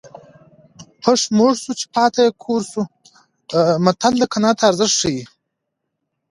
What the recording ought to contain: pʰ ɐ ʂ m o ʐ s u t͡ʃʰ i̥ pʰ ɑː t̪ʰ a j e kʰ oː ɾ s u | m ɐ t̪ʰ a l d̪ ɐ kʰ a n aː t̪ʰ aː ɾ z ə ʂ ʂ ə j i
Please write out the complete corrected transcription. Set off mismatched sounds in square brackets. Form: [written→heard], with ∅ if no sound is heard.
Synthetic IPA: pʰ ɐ ʂ m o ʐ s u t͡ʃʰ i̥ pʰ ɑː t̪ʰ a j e kʰ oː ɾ s u | m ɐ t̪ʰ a l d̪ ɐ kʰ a n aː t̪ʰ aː ɾ z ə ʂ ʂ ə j i

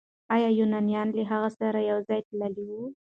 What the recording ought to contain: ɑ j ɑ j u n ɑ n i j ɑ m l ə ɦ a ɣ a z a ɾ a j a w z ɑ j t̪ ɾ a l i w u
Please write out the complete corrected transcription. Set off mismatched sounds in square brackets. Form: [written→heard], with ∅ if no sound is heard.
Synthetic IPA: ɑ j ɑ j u n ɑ n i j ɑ [m→n] l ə ɦ a ɣ a [z→s] a ɾ a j a w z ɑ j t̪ [ɾ→l] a l i w u

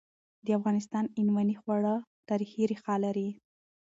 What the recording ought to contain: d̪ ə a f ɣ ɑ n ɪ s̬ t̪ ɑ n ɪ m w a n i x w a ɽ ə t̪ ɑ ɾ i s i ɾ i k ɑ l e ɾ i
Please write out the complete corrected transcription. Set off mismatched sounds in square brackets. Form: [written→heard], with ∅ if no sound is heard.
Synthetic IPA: d̪ ə a f ɣ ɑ n ɪ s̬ t̪ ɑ n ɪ [m→n] w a n i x w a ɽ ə t̪ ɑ ɾ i [s→x] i ɾ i [k→x] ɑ l [e→a] ɾ i

